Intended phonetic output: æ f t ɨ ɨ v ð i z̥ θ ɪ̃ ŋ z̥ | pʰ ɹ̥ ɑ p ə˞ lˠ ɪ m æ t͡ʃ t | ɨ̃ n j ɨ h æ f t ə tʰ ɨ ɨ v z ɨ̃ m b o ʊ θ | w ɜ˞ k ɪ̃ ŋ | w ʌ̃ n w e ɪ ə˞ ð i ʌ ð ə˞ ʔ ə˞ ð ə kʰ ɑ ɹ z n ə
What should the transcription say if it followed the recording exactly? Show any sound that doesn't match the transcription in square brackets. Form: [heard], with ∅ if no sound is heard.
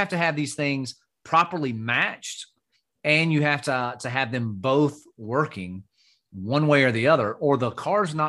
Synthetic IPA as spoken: æ f t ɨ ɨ v ð i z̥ θ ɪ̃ ŋ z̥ | pʰ ɹ̥ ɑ p ə˞ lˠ [i] m æ t͡ʃ t | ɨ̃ n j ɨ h æ f t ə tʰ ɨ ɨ v [ð] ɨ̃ m b o ʊ θ | w ɜ˞ k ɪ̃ ŋ | w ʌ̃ n w e ɪ ə˞ ð i ʌ ð ə˞ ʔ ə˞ ð ə kʰ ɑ ɹ z n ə